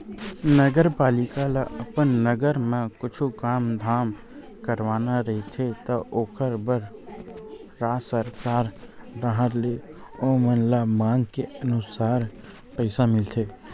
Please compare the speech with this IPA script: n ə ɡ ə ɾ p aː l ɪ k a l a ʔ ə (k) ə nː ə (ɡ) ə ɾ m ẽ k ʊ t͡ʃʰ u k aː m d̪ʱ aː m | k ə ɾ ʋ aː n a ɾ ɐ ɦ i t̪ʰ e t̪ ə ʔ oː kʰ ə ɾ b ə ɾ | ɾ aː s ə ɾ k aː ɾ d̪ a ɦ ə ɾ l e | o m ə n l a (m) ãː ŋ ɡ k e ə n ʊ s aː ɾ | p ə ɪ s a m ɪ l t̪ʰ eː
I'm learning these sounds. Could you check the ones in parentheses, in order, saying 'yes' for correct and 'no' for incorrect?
no, yes, yes

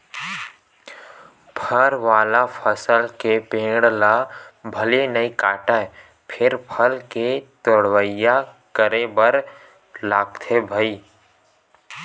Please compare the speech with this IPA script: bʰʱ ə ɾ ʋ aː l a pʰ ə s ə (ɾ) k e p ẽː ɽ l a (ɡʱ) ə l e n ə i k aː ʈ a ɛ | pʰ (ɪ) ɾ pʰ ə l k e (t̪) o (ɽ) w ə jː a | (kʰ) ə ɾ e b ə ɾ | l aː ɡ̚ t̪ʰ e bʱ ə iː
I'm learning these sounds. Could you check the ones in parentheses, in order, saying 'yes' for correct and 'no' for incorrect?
no, no, yes, yes, yes, no

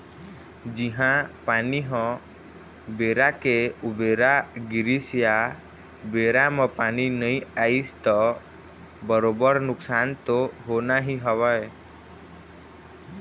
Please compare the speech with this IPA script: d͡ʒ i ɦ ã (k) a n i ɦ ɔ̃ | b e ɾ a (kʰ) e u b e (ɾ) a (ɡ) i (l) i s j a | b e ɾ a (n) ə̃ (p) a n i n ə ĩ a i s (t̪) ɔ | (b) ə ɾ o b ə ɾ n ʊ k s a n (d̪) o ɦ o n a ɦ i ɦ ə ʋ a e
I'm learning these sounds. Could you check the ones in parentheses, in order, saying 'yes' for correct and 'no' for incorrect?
no, no, yes, yes, no, no, yes, yes, yes, no

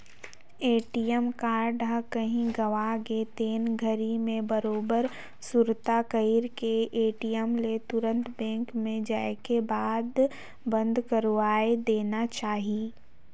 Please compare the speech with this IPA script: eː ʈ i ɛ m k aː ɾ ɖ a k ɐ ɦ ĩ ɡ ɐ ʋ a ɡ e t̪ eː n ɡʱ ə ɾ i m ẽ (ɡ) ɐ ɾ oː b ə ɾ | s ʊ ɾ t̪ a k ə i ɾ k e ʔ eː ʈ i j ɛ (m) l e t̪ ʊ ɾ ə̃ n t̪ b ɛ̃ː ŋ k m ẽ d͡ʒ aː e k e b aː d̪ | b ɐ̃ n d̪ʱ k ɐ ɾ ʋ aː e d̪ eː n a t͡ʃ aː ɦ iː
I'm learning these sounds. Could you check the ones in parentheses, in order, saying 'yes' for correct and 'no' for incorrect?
no, yes

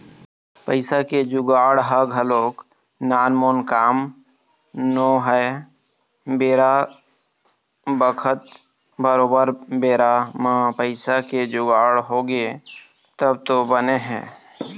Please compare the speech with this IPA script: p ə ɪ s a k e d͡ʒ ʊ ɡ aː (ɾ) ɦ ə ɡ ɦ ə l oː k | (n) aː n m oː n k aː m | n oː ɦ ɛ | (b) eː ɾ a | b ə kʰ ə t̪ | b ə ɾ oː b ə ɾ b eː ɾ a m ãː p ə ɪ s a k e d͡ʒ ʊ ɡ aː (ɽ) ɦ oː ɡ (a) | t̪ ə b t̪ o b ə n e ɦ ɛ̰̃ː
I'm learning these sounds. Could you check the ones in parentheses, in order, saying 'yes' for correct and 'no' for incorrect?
no, yes, yes, yes, no

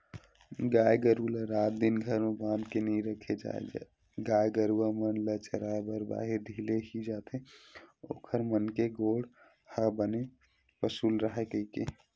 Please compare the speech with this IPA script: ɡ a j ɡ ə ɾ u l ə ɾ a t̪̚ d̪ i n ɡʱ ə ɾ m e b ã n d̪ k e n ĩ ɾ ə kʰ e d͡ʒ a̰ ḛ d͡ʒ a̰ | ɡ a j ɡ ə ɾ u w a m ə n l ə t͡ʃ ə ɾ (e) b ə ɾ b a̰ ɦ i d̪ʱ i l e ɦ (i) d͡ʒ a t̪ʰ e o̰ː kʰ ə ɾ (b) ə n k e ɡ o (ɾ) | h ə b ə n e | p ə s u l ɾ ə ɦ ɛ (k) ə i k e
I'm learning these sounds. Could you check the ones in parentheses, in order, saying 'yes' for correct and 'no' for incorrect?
no, yes, no, no, yes

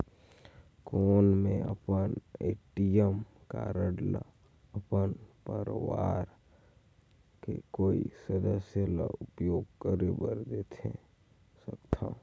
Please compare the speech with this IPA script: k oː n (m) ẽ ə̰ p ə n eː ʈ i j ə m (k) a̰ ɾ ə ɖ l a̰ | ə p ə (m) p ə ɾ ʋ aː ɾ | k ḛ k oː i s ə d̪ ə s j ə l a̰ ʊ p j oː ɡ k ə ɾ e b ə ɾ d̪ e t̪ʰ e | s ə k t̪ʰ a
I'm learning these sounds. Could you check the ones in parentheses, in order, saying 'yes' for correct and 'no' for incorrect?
yes, yes, no

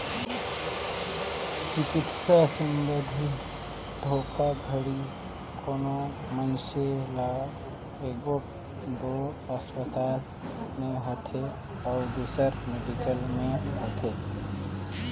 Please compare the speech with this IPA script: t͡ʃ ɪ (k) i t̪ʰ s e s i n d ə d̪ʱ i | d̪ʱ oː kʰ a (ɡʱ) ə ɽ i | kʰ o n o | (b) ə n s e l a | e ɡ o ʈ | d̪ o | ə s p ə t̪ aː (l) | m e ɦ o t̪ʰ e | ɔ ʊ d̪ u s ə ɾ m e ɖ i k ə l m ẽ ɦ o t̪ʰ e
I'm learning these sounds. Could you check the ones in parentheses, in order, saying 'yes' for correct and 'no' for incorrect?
yes, yes, no, yes

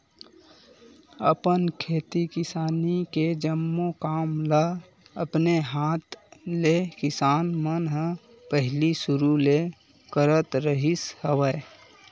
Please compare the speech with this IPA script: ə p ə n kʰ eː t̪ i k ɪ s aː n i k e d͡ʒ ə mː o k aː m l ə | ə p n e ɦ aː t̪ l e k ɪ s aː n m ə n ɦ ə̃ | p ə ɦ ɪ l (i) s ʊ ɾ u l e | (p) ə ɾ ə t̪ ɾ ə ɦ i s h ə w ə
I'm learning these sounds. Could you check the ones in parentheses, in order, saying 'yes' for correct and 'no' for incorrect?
yes, no

